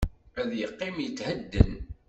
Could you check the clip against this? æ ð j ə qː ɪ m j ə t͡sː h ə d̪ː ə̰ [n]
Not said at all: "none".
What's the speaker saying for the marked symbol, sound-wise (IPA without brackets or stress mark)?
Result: n